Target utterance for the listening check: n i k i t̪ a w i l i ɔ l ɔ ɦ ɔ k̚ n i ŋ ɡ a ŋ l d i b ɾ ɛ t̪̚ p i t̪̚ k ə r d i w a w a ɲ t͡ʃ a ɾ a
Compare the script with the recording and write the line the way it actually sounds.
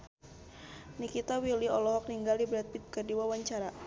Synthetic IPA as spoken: n i k i t̪ a w i l i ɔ l ɔ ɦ ɔ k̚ n i ŋ ɡ a l d i b ɾ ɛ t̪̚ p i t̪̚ k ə r d i w a w a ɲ t͡ʃ a ɾ a